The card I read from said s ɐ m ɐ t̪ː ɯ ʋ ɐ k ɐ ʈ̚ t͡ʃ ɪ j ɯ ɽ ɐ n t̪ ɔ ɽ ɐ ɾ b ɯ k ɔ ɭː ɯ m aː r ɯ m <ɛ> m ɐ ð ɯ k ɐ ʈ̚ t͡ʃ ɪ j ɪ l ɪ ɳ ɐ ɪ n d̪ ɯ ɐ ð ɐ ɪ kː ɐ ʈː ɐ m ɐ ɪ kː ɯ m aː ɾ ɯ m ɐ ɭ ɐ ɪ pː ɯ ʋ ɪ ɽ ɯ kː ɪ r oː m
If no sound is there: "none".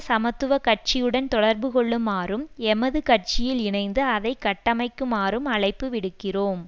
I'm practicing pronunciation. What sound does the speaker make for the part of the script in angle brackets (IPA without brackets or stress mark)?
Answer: ɛ